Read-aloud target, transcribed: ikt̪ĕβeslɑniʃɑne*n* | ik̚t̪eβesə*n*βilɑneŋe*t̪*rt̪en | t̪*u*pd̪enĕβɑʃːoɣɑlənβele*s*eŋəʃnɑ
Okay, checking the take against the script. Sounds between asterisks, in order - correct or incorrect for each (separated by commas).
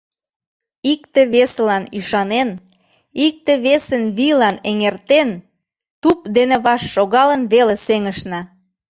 correct, correct, incorrect, correct, correct